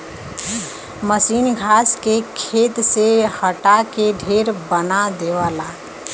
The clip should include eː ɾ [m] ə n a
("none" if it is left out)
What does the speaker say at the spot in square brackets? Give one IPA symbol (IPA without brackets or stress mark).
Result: b